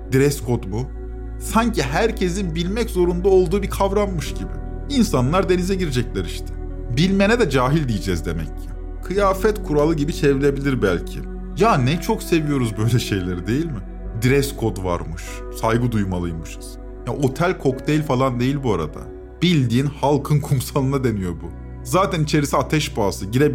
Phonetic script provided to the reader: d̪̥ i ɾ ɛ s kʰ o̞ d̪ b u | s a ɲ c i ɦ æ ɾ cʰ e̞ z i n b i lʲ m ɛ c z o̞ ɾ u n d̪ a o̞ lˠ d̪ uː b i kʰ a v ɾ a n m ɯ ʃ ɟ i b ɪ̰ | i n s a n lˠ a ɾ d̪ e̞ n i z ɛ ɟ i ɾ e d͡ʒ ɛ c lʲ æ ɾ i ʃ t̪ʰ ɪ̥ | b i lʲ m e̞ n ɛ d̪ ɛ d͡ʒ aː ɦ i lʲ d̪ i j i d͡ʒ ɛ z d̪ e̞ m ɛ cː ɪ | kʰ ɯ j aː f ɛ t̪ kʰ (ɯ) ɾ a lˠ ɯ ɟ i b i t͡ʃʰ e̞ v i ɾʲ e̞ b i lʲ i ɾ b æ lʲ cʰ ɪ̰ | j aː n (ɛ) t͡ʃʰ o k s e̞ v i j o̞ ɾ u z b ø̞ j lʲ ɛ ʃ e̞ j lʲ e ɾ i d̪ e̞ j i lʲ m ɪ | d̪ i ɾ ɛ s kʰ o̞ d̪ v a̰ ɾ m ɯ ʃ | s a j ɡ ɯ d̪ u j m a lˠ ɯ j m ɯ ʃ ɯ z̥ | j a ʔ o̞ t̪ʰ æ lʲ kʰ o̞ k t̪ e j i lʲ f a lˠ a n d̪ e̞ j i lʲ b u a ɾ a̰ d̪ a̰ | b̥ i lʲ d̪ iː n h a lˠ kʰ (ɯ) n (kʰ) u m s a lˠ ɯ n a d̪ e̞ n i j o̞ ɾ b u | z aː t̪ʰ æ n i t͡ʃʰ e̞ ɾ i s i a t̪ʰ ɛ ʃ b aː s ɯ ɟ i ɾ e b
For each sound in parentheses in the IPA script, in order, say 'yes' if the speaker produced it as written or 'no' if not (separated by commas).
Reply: no, yes, yes, yes